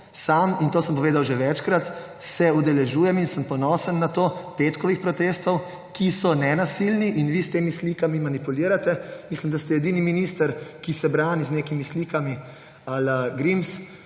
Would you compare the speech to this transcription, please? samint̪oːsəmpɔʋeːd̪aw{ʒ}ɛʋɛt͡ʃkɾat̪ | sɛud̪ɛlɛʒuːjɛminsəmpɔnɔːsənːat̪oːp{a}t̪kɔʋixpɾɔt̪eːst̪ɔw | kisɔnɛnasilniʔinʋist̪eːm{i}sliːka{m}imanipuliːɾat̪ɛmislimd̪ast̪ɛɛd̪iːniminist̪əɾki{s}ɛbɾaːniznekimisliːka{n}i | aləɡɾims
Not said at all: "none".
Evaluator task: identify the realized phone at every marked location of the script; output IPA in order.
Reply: ʒ, e, i, m, s, m

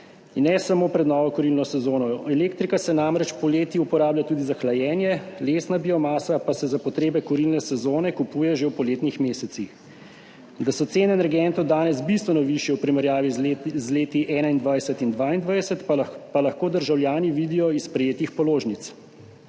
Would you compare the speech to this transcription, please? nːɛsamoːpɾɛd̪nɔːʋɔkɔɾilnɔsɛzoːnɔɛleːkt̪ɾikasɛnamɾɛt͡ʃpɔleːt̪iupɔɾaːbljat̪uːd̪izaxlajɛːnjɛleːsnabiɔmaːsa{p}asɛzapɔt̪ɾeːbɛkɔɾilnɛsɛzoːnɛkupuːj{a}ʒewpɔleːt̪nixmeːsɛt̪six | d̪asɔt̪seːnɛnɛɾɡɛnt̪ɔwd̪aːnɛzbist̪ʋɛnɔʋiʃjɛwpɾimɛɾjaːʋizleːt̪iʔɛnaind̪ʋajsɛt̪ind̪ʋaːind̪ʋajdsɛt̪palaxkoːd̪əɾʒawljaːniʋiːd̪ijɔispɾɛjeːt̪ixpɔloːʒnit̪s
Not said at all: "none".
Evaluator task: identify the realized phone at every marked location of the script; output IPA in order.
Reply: p, ɛ

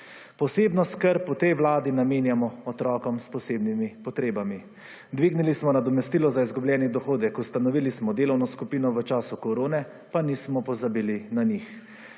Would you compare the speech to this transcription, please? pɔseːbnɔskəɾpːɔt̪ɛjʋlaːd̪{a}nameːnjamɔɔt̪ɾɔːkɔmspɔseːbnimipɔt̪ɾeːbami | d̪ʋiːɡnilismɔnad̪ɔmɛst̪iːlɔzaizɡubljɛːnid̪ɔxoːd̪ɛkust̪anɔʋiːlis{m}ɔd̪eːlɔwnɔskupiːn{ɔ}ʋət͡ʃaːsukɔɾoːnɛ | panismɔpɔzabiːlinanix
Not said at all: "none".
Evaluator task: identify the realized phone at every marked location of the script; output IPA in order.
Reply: i, m, ɔ

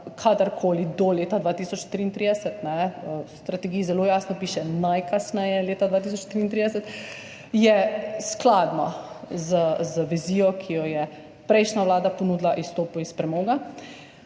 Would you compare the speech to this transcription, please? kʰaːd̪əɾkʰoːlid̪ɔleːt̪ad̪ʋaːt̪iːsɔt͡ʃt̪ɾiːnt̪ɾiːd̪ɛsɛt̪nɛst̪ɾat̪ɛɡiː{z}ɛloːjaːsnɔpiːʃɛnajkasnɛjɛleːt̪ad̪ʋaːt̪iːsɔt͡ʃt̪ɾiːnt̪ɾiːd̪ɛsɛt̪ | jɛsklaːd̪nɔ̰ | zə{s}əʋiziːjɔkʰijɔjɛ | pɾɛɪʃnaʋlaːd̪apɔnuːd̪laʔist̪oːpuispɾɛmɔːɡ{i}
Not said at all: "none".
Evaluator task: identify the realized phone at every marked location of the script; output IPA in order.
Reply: z, z, a

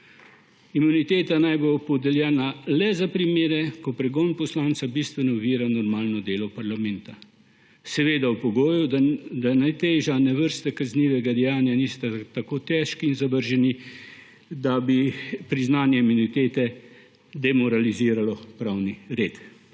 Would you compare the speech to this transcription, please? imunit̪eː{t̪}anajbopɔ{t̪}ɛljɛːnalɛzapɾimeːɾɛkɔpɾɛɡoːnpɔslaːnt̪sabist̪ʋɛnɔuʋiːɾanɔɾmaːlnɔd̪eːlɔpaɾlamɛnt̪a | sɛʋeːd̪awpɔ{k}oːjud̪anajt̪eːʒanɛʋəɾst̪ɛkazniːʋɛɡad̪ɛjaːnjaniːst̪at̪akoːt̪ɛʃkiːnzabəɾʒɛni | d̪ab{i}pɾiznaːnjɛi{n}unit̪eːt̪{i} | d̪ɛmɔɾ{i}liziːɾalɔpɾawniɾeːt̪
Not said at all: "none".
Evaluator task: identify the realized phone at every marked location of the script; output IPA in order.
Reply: t̪, d̪, ɡ, i, m, ɛ, a

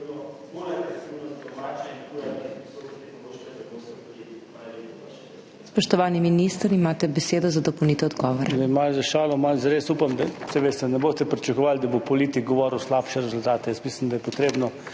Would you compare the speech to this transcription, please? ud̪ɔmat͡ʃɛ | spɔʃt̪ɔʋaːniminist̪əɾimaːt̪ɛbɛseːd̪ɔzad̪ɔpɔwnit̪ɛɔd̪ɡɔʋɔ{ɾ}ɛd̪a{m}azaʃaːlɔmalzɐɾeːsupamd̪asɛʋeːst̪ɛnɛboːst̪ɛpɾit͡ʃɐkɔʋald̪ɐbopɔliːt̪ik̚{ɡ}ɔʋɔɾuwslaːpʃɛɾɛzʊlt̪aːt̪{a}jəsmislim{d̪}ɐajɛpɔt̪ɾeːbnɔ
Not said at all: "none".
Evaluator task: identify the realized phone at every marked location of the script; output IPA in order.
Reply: ɾ, m, ɡ, ɛ, d̪

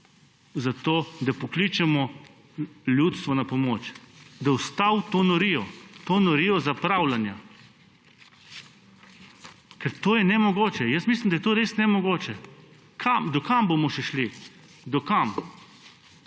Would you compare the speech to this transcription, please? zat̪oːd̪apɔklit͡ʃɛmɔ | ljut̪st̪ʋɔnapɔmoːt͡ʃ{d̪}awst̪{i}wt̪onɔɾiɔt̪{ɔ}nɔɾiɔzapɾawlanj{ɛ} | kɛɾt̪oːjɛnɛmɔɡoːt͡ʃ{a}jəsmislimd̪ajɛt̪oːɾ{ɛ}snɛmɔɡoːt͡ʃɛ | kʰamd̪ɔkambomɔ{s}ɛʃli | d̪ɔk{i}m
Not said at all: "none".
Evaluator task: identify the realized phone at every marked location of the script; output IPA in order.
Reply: d̪, a, o, a, ɛ, e, ʃ, a

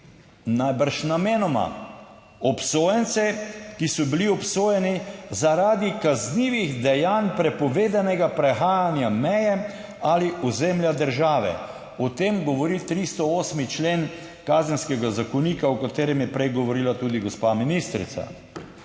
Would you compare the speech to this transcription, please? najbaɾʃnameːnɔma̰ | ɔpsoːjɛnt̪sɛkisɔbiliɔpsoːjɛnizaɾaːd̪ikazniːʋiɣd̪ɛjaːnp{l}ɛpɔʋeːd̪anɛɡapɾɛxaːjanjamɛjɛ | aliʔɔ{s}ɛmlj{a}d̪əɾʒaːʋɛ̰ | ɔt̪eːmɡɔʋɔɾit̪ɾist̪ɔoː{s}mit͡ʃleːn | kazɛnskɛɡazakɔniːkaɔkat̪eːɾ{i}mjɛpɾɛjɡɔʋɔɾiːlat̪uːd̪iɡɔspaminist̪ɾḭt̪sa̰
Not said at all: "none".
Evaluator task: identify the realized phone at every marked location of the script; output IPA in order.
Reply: ɾ, z, a, s, ɛ

